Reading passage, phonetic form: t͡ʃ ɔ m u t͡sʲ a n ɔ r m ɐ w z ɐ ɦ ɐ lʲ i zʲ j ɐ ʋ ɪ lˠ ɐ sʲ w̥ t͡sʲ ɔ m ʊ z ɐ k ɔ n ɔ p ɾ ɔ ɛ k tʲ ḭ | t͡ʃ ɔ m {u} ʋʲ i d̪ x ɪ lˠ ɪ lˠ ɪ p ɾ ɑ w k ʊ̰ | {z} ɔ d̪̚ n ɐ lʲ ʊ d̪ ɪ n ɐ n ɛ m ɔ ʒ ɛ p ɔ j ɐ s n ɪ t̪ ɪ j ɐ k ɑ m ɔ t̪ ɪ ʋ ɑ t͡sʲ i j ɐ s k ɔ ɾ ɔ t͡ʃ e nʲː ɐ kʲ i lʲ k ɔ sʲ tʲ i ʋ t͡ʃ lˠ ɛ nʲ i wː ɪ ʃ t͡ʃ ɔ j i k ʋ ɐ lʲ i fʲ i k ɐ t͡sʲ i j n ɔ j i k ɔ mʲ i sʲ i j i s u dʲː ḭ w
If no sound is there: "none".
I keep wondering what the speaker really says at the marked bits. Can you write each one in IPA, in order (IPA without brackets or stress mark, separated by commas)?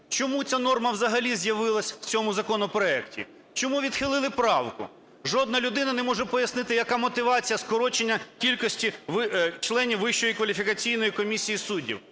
u, ʒ